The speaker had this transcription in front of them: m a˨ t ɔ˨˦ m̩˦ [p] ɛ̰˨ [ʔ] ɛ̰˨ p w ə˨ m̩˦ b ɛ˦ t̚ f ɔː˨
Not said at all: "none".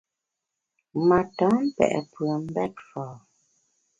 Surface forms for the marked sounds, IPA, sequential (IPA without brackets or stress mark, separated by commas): p, ʔ